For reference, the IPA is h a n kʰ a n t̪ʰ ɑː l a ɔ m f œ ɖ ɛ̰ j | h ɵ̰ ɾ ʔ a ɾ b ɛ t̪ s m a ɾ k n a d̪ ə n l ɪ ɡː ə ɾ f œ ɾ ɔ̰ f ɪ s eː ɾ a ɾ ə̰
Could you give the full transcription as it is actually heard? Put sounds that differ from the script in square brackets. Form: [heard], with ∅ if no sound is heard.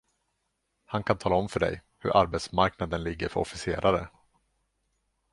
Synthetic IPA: h a n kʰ a n t̪ʰ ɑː l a ɔ m f œ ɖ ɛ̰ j | h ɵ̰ ɾ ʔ a ɾ b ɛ t̪ s m a ɾ k n a d̪ ə n l ɪ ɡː ə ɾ f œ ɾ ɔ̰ f ɪ s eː ɾ a ɾ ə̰